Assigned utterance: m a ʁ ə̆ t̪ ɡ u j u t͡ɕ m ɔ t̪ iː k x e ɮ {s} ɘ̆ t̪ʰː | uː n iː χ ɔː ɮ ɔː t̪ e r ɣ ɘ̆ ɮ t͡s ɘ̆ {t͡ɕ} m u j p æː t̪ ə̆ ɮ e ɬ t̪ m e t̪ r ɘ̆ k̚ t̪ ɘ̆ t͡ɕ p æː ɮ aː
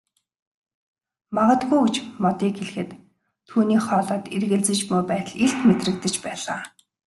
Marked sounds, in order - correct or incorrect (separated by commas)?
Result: incorrect, correct